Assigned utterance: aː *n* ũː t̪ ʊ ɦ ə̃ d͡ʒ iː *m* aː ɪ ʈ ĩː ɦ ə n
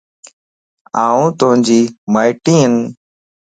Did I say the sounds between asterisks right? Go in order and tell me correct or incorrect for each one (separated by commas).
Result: incorrect, correct